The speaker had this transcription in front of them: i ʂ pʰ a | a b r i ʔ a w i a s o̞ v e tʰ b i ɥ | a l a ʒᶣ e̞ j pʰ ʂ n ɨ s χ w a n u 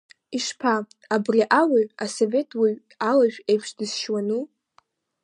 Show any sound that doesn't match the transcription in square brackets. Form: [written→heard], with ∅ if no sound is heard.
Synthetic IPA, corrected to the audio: i ʂ pʰ a | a b r i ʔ a w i a s o̞ v e tʰ [b→w] i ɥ | a l a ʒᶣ e̞ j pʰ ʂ [n→d] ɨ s [χ→ʃ] w a n u